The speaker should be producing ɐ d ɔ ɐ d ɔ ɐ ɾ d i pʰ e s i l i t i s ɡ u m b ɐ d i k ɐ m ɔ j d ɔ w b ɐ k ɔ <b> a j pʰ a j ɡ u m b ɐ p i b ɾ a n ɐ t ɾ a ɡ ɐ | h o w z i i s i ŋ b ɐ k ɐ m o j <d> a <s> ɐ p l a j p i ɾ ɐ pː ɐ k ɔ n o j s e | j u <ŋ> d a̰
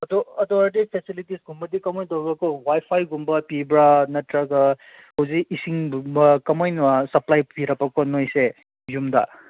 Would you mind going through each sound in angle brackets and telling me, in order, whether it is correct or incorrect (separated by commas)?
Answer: incorrect, incorrect, correct, incorrect